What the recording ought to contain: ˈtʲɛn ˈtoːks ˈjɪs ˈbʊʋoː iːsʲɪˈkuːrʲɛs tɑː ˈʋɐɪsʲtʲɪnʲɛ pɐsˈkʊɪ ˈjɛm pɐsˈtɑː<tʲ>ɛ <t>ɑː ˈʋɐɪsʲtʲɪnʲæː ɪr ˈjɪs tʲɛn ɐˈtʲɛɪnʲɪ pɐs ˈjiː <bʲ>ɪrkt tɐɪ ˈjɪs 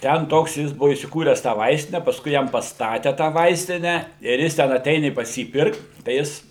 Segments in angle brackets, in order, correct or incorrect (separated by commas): correct, correct, incorrect